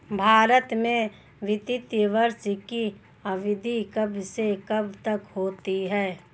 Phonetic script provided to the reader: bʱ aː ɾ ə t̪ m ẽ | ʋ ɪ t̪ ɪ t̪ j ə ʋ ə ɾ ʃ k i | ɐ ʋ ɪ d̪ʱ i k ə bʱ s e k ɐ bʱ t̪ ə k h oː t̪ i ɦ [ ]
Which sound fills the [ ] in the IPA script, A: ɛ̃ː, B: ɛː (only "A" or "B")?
B